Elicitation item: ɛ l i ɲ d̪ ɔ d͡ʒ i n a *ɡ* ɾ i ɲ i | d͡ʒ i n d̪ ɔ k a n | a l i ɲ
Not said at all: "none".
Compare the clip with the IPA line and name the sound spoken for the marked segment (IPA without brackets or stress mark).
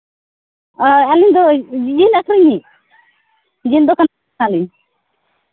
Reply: k